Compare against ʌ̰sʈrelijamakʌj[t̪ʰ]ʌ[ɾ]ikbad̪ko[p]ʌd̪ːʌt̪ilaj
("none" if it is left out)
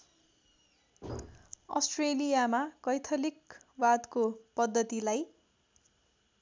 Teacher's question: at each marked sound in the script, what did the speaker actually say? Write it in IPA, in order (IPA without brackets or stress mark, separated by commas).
t̪ʰ, l, p